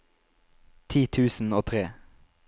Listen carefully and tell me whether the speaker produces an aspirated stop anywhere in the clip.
yes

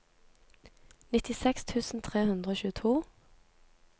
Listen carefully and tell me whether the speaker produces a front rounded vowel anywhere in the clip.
no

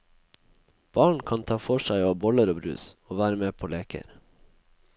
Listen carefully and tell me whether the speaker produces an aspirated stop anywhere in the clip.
yes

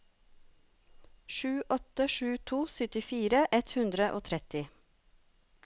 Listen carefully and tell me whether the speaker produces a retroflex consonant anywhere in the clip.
no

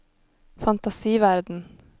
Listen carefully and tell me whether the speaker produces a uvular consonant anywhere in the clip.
no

